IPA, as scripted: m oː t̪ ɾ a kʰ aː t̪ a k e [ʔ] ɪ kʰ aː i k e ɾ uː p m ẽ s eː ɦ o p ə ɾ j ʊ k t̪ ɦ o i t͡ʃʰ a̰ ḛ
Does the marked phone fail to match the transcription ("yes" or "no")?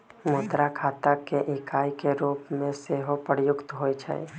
no